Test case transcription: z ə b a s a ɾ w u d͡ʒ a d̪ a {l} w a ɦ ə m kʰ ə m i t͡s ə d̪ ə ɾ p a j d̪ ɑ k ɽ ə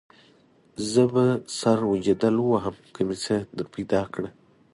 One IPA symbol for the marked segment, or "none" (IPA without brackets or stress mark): l